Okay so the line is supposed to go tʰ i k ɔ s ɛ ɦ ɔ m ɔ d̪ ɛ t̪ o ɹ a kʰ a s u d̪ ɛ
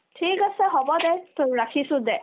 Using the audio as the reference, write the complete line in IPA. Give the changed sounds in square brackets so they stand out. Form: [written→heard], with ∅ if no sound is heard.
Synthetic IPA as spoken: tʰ i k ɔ s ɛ ɦ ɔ [m→b] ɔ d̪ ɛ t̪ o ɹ a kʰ [a→i] s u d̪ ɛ